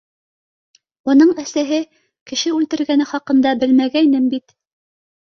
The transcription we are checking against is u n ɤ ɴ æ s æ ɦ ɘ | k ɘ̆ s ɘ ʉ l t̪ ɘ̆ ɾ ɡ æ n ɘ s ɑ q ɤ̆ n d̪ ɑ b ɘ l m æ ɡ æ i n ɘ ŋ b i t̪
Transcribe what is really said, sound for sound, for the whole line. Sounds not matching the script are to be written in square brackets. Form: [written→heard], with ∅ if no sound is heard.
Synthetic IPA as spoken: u n ɤ ɴ æ s æ ɦ ɘ | k ɘ̆ [s→ʃ] ɘ ʉ l t̪ ɘ̆ ɾ ɡ æ n ɘ [s→χ] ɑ q ɤ̆ n d̪ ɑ b ɘ l m æ ɡ æ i n ɘ [ŋ→m] b i t̪